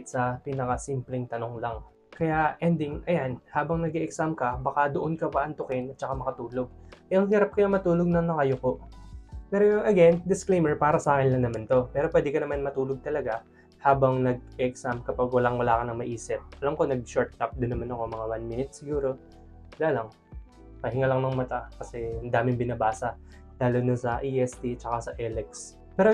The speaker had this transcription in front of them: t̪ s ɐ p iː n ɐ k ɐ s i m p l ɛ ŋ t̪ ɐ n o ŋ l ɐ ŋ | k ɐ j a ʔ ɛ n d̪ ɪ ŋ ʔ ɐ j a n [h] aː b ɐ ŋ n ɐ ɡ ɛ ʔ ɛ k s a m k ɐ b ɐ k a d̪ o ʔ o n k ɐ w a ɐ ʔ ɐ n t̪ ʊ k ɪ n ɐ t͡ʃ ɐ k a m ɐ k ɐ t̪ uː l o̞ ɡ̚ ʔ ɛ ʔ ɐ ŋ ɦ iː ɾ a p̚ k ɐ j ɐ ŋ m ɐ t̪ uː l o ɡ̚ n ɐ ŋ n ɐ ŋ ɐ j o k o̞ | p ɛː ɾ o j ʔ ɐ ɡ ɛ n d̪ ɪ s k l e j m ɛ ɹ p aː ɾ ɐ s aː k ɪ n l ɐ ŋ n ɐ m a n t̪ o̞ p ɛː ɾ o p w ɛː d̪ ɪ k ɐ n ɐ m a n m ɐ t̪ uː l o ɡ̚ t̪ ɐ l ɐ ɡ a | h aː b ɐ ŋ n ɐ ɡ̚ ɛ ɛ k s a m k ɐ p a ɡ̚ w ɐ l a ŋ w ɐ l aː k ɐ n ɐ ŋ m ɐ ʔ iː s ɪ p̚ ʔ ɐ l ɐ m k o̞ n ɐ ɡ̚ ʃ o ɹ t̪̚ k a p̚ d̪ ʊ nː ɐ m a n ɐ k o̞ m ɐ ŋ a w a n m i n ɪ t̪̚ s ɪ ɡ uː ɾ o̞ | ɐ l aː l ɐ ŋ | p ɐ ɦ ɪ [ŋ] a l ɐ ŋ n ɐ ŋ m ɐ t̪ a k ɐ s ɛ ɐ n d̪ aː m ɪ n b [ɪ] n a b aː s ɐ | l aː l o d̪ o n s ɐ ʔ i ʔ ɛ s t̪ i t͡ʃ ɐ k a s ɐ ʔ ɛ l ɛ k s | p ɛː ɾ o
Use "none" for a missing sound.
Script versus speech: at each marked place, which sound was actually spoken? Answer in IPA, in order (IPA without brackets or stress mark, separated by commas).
h, ŋ, ɪ